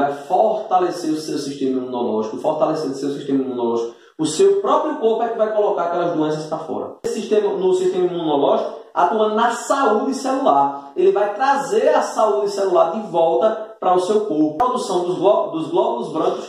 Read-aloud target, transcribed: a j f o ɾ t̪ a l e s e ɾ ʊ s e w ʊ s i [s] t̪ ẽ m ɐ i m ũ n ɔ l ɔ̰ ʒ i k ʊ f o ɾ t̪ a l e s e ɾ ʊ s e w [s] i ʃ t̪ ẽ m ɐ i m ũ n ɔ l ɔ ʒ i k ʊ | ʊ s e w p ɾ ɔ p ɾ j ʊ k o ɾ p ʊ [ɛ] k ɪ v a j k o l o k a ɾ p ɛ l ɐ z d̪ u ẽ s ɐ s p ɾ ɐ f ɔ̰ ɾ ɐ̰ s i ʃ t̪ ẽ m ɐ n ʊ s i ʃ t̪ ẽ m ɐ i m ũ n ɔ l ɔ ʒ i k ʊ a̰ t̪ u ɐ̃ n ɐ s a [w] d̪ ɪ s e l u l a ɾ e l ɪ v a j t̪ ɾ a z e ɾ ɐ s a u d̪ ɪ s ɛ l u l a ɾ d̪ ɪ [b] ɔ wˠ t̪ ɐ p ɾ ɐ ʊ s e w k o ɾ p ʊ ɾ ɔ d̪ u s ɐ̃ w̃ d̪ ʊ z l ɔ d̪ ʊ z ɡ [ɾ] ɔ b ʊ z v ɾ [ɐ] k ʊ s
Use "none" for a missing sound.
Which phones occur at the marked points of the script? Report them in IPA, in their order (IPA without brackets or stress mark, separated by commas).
ʃ, s, ɛ, u, v, l, ɐ̃